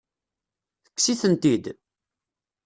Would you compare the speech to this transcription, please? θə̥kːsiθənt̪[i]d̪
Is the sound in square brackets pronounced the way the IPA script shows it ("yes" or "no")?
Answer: yes